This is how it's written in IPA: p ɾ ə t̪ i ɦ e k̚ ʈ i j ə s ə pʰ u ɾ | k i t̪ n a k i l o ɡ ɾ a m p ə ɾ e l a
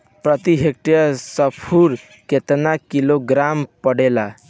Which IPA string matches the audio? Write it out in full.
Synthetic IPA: p ɾ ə t̪ i ɦ e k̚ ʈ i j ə s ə pʰ u ɾ | k e t̪ n a k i l o ɡ ɾ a m p ə ɽ e l a